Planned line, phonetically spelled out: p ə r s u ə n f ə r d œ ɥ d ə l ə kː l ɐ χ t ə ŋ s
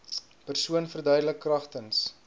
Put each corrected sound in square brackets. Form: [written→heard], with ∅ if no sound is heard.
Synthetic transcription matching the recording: p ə r s u ə n f ə r d œ ɥ d ə l ə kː [l→r] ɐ χ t ə [ŋ→n] s